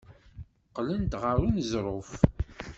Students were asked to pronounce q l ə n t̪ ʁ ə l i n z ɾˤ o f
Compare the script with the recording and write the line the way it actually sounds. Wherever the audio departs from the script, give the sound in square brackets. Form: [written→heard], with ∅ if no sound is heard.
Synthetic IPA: q l ə n t̪ ʁ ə [l→ɾ] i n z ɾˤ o f